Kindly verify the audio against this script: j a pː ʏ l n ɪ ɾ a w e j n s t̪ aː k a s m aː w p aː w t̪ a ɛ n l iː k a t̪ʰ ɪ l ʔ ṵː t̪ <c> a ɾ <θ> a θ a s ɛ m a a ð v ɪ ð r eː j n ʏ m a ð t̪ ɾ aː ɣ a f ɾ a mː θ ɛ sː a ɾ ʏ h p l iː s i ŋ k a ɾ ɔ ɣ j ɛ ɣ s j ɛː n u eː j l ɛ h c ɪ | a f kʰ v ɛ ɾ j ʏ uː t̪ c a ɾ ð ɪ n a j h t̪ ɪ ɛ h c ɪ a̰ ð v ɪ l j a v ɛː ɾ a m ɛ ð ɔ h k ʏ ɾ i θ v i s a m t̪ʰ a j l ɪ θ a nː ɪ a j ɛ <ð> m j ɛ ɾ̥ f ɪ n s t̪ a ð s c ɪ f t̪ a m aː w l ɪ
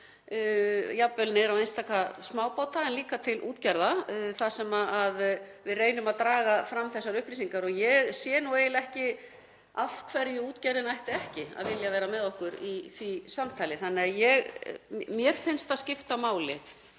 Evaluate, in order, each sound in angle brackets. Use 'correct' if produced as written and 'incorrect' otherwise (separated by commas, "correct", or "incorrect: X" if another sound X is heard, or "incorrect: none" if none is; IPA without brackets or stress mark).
correct, incorrect: ð, incorrect: ɣ